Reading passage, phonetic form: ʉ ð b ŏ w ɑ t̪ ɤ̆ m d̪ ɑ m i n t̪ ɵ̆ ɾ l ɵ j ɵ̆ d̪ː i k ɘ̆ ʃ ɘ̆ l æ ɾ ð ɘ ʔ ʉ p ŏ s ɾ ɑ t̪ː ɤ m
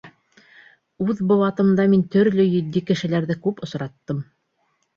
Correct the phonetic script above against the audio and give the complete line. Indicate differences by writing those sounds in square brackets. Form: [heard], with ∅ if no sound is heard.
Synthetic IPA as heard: ʉ ð b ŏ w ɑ t̪ ɤ̆ m d̪ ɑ m i n t̪ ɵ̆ ɾ l ɵ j ɵ̆ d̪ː i k ɘ̆ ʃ ɘ̆ l æ ɾ ð ɘ [k] ʉ p ŏ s ɾ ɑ t̪ː ɤ m